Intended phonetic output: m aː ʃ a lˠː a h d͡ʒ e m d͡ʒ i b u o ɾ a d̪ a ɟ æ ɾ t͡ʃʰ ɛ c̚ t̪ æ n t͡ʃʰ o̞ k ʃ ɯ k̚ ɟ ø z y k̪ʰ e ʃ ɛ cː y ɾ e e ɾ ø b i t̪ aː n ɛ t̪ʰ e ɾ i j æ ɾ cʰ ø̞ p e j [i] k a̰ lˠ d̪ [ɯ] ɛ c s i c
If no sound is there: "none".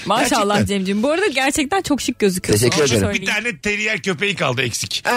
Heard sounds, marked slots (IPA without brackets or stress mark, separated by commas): i, ɯ